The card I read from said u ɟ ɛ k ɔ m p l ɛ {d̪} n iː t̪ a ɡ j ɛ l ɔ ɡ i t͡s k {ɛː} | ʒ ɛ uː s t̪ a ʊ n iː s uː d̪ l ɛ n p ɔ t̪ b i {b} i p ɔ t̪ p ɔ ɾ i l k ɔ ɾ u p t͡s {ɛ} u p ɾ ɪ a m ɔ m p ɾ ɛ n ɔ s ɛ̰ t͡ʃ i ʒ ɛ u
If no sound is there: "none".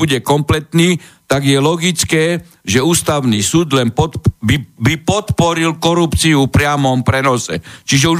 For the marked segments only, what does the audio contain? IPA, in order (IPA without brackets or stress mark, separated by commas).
t̪, ɛː, b, i